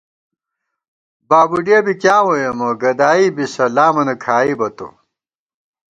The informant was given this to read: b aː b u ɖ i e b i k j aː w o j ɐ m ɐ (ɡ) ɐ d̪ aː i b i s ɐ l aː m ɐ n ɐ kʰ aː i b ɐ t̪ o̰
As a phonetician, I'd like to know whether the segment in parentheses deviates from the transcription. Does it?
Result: no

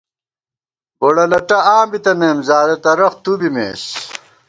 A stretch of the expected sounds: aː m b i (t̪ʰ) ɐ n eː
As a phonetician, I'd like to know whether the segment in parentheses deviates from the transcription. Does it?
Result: yes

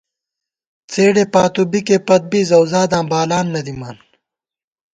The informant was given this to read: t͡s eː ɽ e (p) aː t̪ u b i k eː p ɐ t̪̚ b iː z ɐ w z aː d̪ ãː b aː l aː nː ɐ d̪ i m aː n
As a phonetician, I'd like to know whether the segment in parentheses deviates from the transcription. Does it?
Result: no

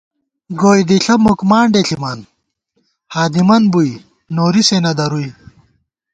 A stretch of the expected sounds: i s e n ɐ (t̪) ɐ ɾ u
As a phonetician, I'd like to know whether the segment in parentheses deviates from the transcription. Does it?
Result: yes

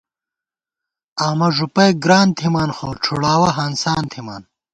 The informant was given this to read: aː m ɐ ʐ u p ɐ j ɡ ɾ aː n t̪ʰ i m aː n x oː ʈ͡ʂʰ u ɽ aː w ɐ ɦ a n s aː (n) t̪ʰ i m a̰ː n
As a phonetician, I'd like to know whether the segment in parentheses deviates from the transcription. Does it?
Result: no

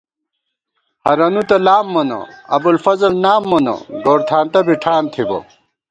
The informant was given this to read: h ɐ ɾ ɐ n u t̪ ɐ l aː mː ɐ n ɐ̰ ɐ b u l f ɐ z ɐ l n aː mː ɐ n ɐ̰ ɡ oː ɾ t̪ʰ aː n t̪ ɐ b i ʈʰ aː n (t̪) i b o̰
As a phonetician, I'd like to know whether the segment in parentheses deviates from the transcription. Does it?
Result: yes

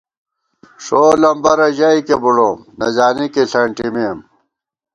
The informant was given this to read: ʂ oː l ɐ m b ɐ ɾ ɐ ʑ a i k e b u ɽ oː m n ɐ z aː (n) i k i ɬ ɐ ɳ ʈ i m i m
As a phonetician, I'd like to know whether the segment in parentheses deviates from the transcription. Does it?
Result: no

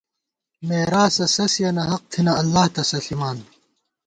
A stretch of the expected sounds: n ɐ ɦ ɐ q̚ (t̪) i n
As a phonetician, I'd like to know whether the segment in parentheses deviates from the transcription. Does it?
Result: yes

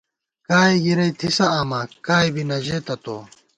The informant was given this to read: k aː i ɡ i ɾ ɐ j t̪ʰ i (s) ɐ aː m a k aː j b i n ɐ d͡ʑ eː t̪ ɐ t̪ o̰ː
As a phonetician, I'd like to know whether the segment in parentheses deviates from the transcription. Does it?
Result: no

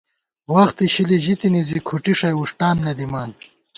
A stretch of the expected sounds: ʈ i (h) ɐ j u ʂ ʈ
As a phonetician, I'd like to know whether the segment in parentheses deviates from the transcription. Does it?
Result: yes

